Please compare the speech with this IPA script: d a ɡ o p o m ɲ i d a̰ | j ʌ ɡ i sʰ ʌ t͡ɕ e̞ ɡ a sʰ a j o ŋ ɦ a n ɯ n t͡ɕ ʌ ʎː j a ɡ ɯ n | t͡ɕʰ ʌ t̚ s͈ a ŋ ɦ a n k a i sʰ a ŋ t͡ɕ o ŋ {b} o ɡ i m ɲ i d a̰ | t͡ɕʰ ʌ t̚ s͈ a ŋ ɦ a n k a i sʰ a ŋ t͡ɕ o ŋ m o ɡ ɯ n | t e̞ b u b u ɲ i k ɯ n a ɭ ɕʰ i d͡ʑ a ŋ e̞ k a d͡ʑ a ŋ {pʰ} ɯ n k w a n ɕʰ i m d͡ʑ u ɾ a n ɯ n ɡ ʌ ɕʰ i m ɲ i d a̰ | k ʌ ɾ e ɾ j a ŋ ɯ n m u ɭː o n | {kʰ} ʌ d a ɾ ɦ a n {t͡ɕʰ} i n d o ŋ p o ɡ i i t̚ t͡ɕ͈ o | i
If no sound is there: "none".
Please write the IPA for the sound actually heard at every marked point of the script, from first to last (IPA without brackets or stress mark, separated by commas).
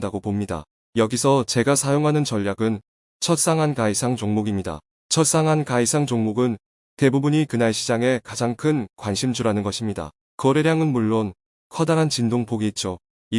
m, kʰ, kʰ, t͡ɕ